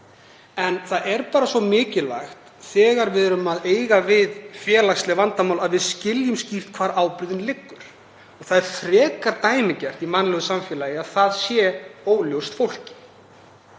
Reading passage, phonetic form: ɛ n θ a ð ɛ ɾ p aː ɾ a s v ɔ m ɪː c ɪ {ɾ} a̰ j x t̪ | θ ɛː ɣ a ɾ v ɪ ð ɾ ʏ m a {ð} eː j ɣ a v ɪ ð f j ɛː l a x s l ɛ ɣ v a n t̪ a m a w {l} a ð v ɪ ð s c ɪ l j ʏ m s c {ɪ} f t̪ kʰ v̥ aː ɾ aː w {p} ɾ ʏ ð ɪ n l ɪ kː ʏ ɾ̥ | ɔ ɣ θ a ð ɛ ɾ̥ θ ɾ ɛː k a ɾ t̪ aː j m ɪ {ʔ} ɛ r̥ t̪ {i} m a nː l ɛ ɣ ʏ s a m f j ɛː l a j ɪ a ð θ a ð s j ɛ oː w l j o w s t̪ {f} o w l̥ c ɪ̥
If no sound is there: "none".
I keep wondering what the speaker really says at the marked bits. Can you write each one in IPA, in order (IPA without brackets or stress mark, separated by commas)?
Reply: l, ð, l, i, p, c, i, f